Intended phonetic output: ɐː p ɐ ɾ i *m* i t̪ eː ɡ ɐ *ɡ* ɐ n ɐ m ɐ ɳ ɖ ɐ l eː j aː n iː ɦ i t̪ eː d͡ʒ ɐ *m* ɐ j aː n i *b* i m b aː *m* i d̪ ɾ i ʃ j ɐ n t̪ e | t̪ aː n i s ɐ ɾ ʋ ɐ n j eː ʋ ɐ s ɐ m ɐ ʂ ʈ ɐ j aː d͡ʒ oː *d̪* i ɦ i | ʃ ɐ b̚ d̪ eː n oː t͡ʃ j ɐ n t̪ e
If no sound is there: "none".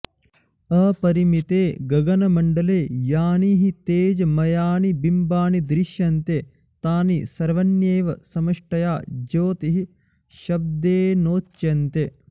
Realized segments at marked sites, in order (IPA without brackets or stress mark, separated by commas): m, ɡ, m, b, n, t̪